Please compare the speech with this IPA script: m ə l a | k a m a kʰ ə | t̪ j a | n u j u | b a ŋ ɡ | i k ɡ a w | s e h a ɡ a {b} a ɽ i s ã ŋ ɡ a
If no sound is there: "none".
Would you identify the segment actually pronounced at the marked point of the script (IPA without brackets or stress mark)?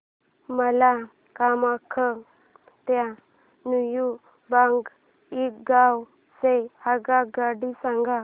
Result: ɡ